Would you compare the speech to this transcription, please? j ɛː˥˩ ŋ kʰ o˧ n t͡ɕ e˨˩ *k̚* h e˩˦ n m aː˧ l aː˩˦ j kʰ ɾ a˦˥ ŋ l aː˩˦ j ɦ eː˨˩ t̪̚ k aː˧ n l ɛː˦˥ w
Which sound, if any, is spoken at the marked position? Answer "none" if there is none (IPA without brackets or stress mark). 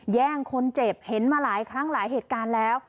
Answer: p̚